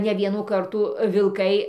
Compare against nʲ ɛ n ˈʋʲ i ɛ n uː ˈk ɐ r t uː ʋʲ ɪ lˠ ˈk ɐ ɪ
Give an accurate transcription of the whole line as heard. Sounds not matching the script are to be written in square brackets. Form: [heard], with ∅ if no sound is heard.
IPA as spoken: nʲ ɛ [∅] ˈʋʲ i ɛ n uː ˈk ɐ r t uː ʋʲ ɪ lˠ ˈk ɐ ɪ